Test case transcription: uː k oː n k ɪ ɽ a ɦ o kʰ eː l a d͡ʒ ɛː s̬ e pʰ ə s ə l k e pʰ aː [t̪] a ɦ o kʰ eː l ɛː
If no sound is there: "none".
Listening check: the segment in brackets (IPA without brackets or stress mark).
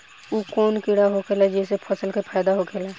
d̪